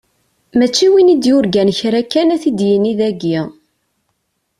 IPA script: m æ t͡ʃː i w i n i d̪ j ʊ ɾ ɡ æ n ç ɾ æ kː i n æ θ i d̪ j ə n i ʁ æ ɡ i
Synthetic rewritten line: m æ t͡ʃː i w i n i d̪ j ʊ ɾ ɡ æ n ç ɾ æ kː æ n æ θ i d̪ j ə n i ð æ ɡ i